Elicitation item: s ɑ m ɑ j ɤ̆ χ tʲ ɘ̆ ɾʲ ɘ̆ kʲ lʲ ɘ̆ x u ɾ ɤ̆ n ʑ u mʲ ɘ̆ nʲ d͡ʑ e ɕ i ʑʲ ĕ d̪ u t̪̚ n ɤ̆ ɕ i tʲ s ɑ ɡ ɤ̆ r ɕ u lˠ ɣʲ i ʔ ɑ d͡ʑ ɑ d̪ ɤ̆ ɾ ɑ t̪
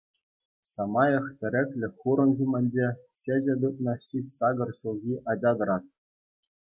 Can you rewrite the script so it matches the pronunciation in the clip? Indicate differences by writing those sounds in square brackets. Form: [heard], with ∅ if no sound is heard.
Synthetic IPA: s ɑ m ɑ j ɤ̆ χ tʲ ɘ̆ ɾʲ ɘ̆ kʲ lʲ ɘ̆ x u ɾ ɤ̆ n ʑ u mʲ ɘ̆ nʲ d͡ʑ e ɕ [e] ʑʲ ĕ d̪ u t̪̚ n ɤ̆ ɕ i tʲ s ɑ ɡ ɤ̆ r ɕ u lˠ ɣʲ i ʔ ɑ d͡ʑ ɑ d̪ ɤ̆ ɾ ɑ t̪